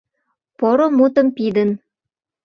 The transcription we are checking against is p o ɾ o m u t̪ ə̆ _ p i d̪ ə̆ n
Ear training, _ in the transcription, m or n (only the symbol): m